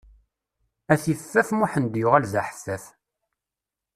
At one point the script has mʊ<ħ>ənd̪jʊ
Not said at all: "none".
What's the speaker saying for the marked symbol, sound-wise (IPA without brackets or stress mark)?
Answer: ħ